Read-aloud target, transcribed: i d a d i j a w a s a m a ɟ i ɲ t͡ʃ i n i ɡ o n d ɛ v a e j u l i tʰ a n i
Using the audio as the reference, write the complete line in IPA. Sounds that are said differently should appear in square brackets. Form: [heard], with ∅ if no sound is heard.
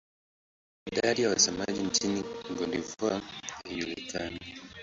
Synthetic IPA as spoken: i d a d i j a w a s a m a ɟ i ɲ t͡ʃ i n i ɡ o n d [i] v a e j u l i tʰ a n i